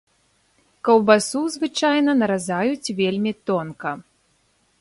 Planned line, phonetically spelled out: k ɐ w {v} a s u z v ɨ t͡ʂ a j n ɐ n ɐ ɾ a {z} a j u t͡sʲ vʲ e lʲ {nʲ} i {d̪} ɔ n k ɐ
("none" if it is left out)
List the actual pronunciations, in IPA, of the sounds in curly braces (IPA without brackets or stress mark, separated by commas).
b, z, mʲ, t̪